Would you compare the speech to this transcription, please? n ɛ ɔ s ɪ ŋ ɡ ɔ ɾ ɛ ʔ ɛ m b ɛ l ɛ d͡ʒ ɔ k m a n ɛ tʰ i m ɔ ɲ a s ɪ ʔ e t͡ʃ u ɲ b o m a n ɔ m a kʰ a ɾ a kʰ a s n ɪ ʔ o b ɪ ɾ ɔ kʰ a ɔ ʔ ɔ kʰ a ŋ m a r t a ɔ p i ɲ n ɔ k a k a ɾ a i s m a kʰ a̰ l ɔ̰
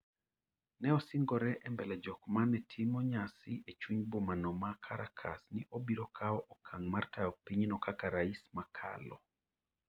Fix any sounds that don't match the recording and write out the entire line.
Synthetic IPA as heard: n ɛ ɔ s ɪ ŋ ɡ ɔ ɾ ɛ ʔ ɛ m b ɛ l ɛ d͡ʒ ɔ k m a n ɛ tʰ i m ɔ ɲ a s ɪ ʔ e t͡ʃ u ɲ b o m a n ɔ m a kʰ a ɾ a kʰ a s n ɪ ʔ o b i ɾ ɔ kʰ a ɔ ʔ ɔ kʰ a ŋ m a r t a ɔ p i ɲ n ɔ k a k a ɾ a i s m a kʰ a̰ l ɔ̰